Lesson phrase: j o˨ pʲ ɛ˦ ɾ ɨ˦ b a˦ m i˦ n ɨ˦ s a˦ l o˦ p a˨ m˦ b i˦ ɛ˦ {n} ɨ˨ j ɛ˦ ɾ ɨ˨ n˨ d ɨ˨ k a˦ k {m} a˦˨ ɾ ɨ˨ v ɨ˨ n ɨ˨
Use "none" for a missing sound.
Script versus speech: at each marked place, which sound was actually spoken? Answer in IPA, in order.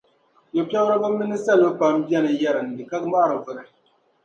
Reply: n, m

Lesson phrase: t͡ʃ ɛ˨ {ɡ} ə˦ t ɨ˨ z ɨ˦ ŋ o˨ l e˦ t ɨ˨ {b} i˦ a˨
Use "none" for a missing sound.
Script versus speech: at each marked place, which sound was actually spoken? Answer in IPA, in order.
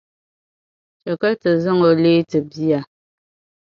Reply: k, b

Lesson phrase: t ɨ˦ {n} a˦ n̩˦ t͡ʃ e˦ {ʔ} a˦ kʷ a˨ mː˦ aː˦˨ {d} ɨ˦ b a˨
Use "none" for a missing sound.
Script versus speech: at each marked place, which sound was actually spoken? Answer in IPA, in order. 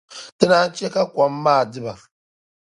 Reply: n, k, d

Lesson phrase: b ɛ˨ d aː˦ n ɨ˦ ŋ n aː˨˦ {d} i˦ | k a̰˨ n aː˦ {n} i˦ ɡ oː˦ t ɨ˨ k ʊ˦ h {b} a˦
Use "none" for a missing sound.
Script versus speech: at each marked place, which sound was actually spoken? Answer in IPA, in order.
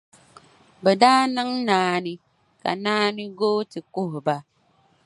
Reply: n, n, b

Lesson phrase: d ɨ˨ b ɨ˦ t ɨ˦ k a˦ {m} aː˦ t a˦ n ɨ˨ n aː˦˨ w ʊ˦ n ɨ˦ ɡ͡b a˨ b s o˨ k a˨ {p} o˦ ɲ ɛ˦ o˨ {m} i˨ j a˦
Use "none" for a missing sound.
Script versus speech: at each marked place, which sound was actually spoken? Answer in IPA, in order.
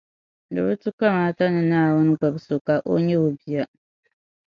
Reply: m, ʔ, b

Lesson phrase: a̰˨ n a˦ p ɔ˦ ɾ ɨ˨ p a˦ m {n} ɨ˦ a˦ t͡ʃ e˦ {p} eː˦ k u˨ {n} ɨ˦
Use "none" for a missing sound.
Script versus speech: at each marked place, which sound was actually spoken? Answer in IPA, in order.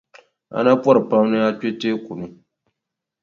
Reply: n, t, n

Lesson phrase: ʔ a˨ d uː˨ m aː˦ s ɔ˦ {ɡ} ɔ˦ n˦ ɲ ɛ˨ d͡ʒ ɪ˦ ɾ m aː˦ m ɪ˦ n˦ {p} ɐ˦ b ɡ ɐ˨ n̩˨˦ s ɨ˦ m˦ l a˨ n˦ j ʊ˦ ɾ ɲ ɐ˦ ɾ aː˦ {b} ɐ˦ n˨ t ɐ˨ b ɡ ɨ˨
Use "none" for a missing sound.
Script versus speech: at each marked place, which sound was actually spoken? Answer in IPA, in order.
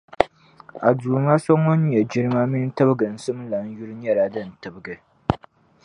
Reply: ŋ, t, d

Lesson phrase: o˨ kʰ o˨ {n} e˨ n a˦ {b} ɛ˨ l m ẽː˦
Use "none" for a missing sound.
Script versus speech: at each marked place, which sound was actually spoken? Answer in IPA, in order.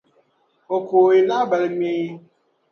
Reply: none, b

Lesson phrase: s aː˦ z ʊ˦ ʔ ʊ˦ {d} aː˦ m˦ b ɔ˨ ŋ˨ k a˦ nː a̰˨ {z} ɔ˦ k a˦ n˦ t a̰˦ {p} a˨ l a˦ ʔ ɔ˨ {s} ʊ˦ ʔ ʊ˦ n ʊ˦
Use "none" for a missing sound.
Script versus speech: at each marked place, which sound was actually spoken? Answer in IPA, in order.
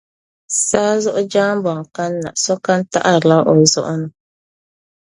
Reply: d͡ʒ, s, ʔ, z

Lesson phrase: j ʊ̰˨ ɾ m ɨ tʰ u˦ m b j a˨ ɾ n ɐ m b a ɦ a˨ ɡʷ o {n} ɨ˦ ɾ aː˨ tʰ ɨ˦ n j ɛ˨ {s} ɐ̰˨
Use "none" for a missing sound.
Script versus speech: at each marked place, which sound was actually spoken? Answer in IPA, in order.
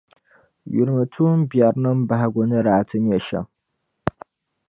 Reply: n, ʃ

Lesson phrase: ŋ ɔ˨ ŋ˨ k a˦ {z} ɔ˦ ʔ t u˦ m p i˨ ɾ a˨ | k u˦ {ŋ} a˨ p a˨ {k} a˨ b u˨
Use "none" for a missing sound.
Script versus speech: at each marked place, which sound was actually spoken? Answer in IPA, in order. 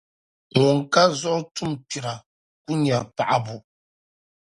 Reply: z, ɲ, ʔ

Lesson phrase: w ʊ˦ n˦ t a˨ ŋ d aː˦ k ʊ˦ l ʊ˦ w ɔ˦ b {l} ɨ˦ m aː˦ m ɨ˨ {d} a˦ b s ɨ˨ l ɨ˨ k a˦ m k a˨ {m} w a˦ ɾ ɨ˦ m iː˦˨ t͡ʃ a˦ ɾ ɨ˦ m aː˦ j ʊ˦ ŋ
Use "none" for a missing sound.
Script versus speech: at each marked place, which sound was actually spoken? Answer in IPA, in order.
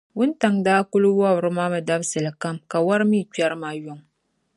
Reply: ɾ, d, none

